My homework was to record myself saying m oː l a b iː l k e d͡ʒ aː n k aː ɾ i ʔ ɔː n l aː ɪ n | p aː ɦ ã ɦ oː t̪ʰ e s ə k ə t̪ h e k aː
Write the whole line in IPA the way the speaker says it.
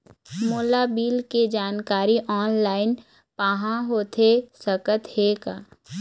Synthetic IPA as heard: m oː l a b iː l k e d͡ʒ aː n k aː ɾ i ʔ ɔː n l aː ɪ n | p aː ɦ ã ɦ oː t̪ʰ e s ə k ə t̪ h e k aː